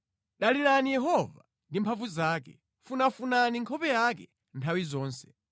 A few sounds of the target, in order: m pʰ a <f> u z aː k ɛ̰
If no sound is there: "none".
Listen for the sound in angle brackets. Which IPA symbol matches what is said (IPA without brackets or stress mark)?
v